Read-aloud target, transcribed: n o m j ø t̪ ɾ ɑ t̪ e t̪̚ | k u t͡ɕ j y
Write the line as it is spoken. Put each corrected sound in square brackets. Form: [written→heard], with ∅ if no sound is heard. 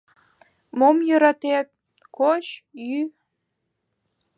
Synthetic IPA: [n→m] o m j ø [t̪→∅] ɾ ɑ t̪ e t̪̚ | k [u→o] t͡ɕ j y